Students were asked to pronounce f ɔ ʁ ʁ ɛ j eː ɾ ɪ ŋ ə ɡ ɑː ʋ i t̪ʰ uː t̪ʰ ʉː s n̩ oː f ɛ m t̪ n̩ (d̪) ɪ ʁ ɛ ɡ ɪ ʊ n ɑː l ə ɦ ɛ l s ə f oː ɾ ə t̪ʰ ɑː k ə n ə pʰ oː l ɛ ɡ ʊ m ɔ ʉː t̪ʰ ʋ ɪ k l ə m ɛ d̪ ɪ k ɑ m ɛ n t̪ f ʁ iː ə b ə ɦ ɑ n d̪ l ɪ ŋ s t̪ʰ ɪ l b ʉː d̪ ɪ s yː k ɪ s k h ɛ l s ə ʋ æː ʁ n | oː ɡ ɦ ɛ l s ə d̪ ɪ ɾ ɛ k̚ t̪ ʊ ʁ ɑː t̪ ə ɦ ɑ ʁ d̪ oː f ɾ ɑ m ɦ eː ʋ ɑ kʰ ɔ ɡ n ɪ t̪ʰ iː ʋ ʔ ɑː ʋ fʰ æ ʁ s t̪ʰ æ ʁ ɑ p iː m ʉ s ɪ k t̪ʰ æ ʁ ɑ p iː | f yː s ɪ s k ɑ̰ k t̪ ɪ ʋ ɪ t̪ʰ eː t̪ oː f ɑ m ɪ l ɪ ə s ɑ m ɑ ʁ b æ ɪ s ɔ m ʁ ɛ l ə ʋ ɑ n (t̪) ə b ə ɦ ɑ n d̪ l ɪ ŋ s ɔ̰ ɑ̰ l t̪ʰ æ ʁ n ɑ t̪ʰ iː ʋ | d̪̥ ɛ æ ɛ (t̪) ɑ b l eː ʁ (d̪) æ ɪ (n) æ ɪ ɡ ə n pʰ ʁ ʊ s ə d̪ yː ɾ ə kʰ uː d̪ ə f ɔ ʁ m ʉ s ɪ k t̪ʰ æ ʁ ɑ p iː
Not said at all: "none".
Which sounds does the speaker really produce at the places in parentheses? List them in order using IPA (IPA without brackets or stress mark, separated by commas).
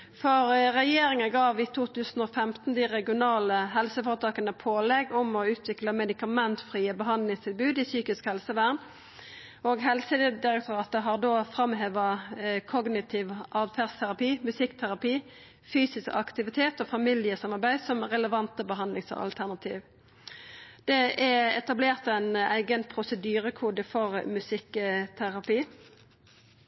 d̪, t̪, t̪, t̪, n